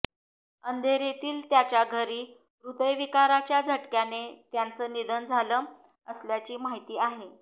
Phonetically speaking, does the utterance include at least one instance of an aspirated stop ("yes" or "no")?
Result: no